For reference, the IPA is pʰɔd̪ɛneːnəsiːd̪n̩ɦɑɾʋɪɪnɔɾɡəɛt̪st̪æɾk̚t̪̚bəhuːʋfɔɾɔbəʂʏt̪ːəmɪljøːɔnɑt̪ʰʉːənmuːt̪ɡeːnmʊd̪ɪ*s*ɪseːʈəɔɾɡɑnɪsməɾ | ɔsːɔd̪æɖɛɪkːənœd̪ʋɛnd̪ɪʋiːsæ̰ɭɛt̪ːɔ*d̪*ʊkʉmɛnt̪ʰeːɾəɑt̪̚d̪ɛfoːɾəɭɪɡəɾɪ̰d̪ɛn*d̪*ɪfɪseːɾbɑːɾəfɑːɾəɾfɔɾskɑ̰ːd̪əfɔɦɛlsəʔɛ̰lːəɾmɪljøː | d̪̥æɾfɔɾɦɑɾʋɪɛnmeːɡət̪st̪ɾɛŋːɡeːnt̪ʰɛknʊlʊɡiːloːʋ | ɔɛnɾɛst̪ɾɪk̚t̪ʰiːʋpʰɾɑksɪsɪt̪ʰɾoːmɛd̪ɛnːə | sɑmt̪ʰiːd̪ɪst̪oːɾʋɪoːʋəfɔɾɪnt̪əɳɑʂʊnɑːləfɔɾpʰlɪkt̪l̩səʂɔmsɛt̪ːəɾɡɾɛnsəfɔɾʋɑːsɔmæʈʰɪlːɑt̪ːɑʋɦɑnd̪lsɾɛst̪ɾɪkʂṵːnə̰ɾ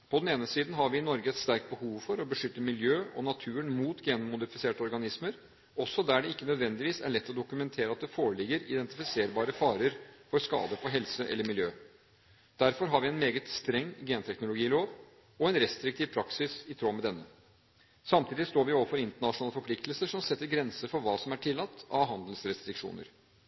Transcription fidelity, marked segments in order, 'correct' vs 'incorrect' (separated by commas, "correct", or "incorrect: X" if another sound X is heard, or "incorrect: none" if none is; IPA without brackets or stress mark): incorrect: f, correct, incorrect: t̪